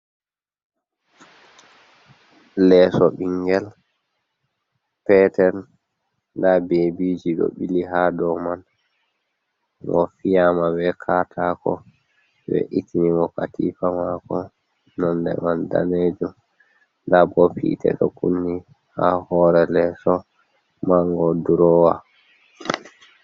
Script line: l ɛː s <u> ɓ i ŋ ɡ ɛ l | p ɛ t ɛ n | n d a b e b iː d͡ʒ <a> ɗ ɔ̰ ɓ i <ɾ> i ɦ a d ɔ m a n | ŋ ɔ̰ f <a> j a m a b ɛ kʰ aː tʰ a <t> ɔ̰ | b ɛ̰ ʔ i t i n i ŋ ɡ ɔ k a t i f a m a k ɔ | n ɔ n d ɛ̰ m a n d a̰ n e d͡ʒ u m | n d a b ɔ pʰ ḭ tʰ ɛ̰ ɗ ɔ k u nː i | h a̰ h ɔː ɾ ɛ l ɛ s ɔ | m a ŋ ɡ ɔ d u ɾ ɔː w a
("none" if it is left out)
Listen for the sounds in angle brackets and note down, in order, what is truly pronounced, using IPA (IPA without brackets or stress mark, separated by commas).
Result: ɔ, i, l, i, k